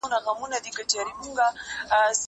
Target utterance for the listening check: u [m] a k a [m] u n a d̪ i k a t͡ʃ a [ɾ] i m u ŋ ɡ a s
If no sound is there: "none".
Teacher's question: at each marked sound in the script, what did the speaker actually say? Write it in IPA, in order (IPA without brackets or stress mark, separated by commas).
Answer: n, m, ɾ